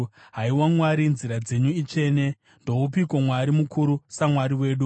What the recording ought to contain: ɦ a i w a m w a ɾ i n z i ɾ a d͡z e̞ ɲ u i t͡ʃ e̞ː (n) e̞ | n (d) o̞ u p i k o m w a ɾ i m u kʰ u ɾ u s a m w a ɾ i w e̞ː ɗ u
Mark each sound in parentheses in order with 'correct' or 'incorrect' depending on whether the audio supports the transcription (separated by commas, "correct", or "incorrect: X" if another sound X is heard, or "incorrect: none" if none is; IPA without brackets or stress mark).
correct, correct